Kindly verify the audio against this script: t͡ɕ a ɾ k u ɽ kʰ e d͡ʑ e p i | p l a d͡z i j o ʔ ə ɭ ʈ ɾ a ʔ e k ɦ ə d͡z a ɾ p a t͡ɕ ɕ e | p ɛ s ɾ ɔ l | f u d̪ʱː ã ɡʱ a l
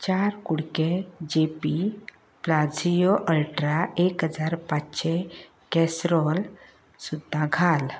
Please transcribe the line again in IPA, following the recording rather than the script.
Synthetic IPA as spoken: t͡ɕ a ɾ k u ɽ k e d͡ʑ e p i | p l a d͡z i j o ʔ ə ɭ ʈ ɾ a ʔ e k ɦ ə d͡z a ɾ p a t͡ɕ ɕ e | k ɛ s ɾ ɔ l | s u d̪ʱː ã ɡʱ a l